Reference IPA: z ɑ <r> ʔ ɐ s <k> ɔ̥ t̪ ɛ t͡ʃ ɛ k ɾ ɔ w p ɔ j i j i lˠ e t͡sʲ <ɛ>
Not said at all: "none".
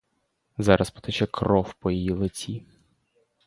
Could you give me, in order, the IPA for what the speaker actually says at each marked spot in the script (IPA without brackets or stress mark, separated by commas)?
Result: ɾ, p, i